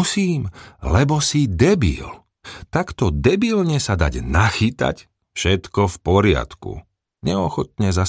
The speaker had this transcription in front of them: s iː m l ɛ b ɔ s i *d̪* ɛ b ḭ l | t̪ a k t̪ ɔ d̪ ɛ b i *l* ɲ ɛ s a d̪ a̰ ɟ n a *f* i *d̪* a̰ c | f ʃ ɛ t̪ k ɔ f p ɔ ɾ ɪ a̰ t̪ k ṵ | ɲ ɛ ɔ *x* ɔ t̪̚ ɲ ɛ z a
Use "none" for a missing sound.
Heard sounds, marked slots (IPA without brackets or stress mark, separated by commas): d̪, l, x, t̪, x